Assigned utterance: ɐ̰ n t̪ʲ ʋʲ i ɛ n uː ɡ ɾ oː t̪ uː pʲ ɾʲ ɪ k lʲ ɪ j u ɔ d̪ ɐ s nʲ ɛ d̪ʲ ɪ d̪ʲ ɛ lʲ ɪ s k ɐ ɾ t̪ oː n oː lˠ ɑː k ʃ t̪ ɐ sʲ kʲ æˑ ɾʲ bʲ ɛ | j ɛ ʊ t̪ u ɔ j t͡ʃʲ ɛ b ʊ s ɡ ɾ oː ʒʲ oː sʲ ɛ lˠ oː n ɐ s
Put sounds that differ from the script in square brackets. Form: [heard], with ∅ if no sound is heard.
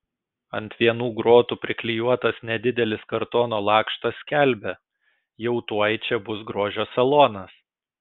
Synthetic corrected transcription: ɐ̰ n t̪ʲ ʋʲ i ɛ n uː ɡ ɾ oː t̪ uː pʲ ɾʲ ɪ k lʲ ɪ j u ɔ [t̪] ɐ s nʲ ɛ d̪ʲ ɪ d̪ʲ ɛ lʲ ɪ s k ɐ ɾ t̪ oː n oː lˠ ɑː k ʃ t̪ ɐ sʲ kʲ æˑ [lʲ] bʲ ɛ | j ɛ ʊ t̪ u ɔ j t͡ʃʲ ɛ b ʊ s ɡ ɾ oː ʒʲ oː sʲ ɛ lˠ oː n ɐ s